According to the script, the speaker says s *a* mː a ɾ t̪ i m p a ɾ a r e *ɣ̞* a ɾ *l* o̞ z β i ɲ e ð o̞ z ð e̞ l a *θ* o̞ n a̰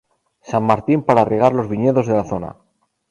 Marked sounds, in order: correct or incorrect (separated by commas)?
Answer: correct, correct, correct, correct